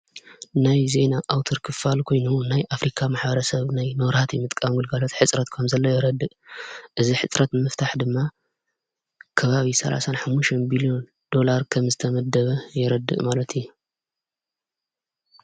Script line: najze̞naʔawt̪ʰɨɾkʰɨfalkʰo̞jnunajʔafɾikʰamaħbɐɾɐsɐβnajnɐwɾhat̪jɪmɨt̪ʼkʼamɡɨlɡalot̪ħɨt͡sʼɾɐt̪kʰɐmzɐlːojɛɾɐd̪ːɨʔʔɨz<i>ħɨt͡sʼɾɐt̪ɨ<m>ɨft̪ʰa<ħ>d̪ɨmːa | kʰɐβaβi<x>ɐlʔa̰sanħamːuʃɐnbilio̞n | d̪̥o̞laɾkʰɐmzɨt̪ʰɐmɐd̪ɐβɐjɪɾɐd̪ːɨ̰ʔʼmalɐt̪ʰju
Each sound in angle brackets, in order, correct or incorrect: correct, correct, correct, incorrect: s

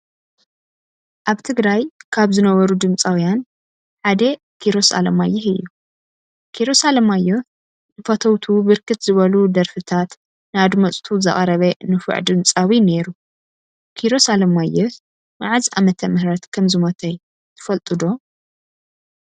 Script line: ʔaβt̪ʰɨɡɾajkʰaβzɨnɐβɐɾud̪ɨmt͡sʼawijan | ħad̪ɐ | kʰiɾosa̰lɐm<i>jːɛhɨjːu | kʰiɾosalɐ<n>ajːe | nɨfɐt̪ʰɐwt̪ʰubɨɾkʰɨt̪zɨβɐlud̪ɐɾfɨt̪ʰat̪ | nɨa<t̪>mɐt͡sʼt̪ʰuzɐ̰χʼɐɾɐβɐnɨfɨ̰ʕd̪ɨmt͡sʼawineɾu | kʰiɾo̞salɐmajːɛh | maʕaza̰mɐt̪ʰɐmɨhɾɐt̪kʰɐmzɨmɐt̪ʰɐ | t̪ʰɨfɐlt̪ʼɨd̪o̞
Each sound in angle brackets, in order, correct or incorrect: incorrect: a, incorrect: m, incorrect: d̪

